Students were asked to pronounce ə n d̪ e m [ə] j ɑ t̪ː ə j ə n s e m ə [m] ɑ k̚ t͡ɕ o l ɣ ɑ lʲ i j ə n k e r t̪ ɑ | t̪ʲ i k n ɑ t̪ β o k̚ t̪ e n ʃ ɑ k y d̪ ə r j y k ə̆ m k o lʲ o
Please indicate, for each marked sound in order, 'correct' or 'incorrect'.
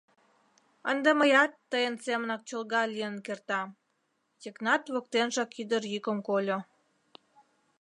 correct, incorrect: n

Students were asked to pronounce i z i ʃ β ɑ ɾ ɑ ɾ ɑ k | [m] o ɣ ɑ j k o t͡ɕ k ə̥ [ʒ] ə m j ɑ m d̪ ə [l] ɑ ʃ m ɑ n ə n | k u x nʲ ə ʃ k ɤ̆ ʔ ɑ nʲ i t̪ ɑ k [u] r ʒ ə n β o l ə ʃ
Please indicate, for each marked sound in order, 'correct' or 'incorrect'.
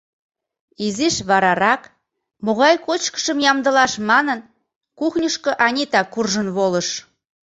correct, incorrect: ʃ, correct, correct

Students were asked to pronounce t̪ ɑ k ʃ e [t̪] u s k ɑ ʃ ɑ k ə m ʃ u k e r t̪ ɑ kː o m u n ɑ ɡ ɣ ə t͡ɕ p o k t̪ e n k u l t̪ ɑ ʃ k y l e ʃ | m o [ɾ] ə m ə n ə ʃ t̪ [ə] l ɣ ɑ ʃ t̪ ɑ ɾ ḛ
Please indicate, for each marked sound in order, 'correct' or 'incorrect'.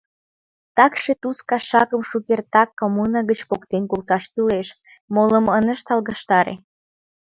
correct, incorrect: l, incorrect: ɑ

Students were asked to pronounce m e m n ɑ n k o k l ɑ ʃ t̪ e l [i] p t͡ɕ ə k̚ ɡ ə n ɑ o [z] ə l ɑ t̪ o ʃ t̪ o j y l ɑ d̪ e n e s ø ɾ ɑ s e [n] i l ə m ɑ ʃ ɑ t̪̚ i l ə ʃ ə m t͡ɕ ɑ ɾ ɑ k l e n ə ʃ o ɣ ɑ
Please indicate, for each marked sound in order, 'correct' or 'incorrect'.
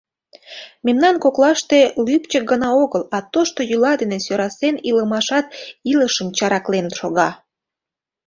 incorrect: y, incorrect: ɣ, correct

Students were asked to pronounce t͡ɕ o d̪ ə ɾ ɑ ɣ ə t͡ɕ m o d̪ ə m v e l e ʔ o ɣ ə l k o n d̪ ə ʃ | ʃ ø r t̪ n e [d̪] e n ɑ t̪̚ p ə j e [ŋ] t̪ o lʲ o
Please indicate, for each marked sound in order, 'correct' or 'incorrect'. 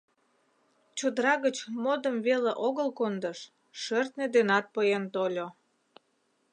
correct, incorrect: n

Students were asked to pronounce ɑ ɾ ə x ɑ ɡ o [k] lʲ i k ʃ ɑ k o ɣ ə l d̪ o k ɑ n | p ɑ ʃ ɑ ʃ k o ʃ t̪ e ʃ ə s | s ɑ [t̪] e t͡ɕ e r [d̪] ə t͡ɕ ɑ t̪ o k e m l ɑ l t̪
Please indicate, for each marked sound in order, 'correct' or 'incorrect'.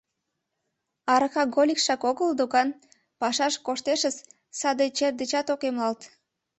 incorrect: none, incorrect: d̪, correct

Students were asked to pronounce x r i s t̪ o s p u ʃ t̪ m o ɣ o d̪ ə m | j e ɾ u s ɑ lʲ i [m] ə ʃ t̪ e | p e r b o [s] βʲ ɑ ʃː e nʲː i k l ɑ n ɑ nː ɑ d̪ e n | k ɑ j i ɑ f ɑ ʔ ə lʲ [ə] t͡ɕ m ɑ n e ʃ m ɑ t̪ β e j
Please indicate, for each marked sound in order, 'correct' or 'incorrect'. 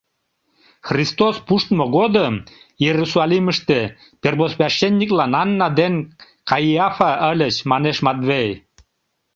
correct, correct, correct

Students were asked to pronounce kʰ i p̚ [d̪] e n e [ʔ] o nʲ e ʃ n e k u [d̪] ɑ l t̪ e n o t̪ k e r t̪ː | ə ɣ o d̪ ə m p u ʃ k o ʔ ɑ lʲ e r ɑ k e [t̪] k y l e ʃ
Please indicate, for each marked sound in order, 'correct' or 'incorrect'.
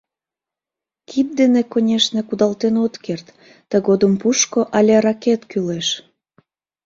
correct, incorrect: k, correct, correct

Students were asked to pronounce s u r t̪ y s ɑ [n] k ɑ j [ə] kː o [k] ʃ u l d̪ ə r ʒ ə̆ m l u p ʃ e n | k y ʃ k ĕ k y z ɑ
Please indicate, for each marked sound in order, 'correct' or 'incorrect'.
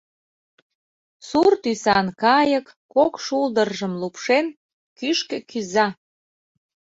correct, correct, correct

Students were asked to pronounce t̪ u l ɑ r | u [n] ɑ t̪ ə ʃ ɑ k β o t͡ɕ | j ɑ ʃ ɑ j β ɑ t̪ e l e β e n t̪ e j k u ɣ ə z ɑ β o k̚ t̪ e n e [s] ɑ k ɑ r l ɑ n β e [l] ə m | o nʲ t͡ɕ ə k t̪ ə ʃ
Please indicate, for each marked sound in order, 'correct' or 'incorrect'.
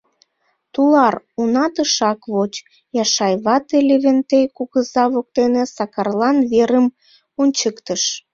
correct, correct, incorrect: ɾ

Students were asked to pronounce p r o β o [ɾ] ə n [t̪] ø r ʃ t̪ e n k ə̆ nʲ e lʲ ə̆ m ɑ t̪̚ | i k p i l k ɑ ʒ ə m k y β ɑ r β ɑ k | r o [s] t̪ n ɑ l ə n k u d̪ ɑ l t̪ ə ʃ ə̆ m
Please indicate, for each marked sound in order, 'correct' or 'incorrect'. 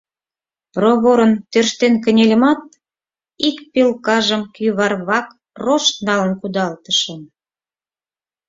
correct, correct, incorrect: ʃ

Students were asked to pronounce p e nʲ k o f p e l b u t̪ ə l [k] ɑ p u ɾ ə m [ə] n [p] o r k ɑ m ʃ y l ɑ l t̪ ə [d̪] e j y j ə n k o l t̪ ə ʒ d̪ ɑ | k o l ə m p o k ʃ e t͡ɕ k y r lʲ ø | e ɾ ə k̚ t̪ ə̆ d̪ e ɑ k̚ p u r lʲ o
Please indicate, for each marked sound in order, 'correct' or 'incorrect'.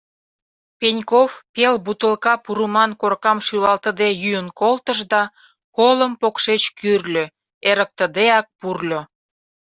correct, incorrect: ɑ, incorrect: k, correct

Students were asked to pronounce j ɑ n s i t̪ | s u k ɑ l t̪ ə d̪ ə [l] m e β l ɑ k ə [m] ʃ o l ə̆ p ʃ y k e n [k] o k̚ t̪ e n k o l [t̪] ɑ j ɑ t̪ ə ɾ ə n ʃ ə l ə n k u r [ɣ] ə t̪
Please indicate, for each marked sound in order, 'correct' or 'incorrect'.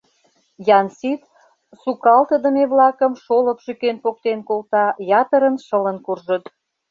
incorrect: none, correct, incorrect: p, correct, incorrect: ʒ

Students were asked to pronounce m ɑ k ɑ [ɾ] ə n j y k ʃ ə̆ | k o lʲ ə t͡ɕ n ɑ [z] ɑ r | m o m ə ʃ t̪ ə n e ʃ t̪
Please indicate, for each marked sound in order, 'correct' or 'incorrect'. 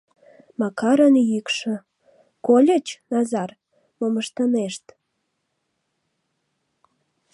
correct, correct

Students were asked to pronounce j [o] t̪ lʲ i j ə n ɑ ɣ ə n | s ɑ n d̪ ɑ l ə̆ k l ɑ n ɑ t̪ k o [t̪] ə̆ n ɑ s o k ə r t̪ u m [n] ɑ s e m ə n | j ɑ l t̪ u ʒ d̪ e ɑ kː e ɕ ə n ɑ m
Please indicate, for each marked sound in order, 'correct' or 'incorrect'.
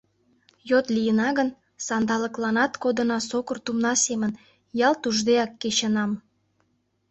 correct, incorrect: d̪, correct

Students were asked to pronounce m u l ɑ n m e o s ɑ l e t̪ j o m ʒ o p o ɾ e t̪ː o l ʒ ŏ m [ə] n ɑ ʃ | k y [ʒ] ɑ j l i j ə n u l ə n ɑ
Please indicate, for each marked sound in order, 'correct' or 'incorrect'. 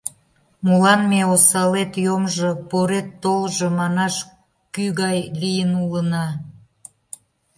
incorrect: ɑ, incorrect: ɣ

